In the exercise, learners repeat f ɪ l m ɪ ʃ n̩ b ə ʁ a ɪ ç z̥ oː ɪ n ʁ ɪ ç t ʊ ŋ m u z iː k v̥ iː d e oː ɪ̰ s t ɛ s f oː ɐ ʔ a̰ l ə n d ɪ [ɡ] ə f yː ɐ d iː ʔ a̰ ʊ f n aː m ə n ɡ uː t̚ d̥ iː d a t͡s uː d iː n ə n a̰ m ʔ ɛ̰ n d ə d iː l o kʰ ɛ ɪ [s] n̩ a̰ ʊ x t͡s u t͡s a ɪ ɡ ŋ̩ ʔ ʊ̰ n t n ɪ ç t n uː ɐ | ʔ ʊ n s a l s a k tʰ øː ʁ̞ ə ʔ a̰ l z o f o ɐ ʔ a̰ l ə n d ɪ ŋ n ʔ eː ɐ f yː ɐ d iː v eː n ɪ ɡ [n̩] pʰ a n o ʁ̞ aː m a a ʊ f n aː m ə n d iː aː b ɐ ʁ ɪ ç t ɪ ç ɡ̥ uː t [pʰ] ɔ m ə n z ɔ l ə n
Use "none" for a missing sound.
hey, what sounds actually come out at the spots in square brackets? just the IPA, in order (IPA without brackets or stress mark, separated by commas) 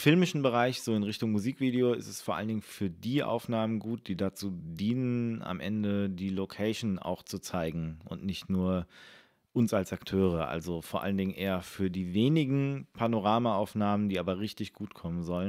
ŋ, ʃ, ŋ̩, kʰ